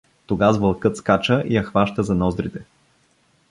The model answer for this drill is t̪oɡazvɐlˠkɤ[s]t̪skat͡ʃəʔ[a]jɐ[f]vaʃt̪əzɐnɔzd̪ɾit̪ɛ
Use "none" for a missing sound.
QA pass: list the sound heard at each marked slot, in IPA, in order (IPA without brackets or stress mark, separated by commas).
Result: none, i, x